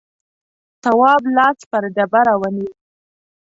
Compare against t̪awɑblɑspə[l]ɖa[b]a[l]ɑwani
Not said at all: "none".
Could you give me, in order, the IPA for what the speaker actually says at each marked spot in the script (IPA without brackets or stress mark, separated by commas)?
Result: ɾ, b, ɾ